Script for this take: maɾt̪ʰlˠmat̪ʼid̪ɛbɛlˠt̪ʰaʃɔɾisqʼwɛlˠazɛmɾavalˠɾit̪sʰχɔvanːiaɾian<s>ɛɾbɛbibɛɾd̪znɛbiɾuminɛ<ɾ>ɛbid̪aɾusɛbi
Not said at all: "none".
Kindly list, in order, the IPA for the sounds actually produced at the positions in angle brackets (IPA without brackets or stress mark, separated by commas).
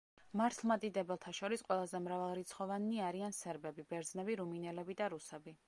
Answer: s, l